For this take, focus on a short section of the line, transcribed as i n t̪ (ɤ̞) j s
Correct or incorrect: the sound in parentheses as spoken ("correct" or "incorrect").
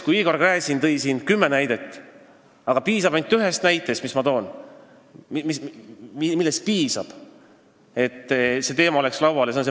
correct